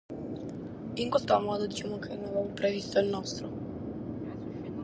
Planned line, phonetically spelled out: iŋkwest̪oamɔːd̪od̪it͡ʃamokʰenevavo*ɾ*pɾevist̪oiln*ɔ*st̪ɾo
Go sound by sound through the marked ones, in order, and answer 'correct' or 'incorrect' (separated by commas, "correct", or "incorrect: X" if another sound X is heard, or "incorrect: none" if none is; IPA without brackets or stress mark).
incorrect: none, correct